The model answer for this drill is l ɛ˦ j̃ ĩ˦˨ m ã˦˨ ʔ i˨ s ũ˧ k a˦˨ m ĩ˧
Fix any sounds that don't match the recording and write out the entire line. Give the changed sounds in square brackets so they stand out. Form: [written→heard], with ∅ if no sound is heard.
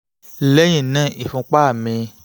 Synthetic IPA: l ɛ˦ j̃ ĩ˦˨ [m→n] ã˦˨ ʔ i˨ [s→f] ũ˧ [k→k͡p] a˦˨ m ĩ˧